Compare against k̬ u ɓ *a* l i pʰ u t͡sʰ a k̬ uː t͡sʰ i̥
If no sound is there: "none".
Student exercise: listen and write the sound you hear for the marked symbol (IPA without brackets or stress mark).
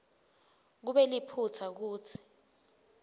ɛ